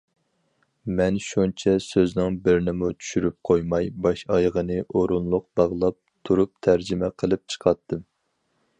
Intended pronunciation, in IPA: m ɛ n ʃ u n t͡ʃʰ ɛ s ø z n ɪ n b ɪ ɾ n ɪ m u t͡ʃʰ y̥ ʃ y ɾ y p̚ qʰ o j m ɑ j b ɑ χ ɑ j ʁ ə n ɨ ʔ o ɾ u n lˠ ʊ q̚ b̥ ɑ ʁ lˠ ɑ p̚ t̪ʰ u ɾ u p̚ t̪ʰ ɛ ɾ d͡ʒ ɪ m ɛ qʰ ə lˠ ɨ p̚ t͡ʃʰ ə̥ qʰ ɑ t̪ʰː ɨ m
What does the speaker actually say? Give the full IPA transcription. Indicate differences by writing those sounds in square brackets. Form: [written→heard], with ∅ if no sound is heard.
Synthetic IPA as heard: m ɛ n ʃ u n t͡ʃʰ ɛ s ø z n ɪ [n→ŋ] b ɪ ɾ n ɪ m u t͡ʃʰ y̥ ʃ y ɾ y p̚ qʰ o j m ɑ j b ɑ [χ→ʃ] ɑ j ʁ ə n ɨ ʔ o ɾ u n lˠ ʊ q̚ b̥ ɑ ʁ lˠ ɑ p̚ t̪ʰ u ɾ u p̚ t̪ʰ [ɛ→æ] ɾ d͡ʒ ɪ m ɛ qʰ ə lˠ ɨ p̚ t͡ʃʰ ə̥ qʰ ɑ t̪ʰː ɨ m